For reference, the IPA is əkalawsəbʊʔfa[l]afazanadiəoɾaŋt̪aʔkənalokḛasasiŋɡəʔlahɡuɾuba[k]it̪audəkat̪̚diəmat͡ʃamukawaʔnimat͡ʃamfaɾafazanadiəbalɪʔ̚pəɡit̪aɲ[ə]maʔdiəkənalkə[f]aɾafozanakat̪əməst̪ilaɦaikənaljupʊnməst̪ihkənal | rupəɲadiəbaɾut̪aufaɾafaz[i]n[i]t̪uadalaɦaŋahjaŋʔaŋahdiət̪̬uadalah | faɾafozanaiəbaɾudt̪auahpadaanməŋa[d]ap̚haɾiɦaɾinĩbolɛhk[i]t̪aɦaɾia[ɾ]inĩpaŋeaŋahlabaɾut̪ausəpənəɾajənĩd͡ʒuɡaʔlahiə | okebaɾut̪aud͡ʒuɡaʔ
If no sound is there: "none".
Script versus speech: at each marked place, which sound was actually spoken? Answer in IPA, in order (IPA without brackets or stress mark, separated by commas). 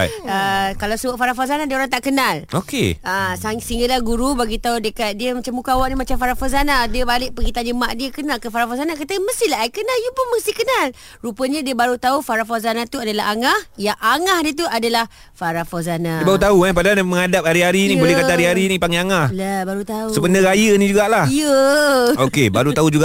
ɾ, ɡ, ə, f, a, a, d, a, ɾ